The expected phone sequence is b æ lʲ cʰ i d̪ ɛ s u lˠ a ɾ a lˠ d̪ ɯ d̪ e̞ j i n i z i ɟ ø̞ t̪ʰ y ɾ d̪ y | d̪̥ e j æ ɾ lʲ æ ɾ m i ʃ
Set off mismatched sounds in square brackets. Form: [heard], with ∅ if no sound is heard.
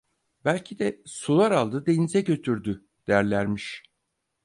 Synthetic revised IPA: b æ lʲ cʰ i d̪ ɛ s u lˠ a ɾ a lˠ d̪ ɯ d̪ e̞ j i n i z [ɛ] ɟ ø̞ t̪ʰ y ɾ d̪ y | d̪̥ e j æ ɾ lʲ æ ɾ m i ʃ